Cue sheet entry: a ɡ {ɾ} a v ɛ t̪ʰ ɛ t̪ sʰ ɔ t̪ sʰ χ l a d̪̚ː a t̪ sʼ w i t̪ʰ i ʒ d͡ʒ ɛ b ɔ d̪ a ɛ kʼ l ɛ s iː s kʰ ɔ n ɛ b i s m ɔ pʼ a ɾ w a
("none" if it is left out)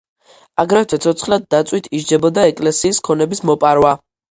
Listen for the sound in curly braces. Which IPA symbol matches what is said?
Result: ɾ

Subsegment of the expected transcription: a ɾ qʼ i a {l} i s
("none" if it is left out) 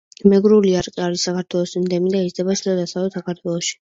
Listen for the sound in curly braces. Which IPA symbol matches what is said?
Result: ɾ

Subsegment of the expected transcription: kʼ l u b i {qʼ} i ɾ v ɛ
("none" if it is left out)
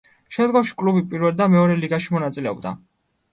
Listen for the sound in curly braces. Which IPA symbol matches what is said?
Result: pʼ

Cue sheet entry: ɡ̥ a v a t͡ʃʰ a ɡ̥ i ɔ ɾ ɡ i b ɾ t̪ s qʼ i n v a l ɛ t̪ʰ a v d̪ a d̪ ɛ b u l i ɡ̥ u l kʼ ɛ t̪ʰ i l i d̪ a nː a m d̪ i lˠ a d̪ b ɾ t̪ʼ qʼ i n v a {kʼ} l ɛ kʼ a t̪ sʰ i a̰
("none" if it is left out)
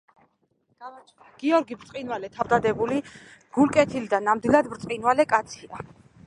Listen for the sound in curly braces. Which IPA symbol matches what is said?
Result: none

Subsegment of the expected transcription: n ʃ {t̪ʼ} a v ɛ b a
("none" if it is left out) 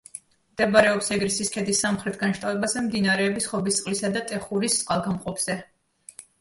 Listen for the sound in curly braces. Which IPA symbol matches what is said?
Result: t̪ʼ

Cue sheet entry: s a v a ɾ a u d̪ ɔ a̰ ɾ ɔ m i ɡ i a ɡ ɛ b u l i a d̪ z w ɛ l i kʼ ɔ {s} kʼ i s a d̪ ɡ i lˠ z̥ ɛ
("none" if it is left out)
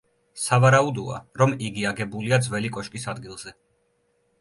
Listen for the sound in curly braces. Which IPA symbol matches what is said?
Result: ʃ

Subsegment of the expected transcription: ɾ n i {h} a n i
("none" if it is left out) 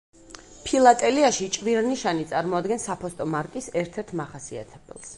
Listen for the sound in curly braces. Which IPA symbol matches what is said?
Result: ʃ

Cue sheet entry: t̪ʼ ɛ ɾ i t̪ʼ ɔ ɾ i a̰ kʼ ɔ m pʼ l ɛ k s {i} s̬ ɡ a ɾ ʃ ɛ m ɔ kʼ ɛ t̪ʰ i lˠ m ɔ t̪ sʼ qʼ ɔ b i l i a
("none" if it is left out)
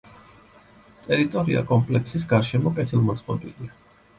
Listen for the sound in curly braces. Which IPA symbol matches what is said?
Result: i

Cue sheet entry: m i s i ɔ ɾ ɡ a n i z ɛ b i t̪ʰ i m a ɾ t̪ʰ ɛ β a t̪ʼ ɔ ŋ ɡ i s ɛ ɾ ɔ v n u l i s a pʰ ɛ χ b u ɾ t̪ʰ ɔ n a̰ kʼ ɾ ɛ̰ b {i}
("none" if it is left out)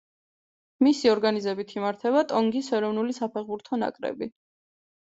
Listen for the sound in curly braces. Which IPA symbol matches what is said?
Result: i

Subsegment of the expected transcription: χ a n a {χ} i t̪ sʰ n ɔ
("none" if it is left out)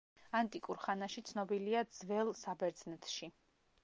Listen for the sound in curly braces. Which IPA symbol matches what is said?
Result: ʃ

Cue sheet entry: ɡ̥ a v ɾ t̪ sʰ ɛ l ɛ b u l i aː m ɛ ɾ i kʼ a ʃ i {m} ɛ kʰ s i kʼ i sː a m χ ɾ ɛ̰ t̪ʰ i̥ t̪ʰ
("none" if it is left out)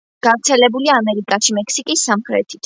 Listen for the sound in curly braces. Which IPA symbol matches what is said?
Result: m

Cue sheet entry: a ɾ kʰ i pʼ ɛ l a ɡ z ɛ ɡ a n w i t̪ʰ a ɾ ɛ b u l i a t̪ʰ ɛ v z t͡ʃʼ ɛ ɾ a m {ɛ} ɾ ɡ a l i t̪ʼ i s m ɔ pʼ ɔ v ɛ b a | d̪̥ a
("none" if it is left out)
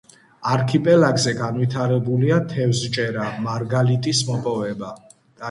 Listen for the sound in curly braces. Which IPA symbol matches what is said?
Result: a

